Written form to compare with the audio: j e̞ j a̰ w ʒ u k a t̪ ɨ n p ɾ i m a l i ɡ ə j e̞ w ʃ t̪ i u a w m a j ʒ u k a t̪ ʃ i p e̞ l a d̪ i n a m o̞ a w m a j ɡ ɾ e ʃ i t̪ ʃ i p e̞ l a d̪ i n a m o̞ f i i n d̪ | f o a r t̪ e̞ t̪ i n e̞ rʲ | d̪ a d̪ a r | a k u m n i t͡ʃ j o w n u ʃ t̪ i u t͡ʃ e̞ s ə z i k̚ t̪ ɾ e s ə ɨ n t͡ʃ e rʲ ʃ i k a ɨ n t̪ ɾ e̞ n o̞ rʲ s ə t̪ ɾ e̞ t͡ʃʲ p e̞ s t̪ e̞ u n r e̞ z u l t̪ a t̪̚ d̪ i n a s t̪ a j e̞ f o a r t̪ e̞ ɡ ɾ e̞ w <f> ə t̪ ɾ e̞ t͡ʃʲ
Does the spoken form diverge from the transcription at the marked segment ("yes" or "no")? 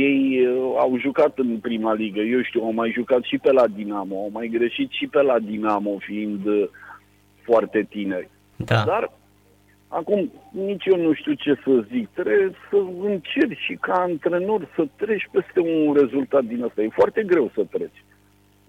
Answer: yes